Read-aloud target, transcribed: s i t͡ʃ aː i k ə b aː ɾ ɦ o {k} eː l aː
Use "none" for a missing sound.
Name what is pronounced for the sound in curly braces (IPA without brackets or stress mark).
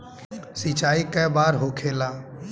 kʰ